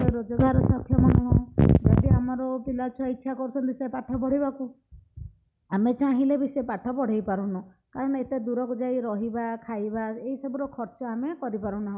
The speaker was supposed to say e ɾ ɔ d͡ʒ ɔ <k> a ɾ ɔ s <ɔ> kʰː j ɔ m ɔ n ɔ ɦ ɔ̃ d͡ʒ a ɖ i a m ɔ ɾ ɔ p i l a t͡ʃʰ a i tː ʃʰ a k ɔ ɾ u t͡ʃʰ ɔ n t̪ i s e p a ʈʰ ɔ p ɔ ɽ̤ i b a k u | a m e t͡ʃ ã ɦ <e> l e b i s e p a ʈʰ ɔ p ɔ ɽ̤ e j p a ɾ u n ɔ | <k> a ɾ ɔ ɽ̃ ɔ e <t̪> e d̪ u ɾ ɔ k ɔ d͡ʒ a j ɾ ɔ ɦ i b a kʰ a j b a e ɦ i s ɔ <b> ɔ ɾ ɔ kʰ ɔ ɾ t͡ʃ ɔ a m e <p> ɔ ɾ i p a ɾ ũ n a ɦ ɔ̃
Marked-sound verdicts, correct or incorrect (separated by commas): incorrect, correct, incorrect, correct, correct, correct, incorrect